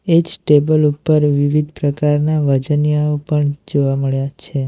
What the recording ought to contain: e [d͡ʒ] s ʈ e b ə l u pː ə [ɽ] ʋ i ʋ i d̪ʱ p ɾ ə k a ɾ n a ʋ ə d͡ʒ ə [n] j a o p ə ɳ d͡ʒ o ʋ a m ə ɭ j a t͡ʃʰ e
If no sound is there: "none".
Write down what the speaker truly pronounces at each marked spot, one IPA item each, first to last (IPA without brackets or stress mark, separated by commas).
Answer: d͡ʒ, ɾ, n